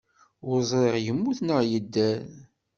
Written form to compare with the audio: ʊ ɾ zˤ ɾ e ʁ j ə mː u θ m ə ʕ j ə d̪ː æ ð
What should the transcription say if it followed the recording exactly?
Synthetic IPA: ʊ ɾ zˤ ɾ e ʁ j ə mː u θ n ə ʁ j ə d̪ː æ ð

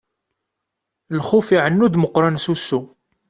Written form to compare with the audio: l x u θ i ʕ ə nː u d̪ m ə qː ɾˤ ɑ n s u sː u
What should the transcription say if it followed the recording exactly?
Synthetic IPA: l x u f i ʕ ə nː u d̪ m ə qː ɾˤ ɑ n s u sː u

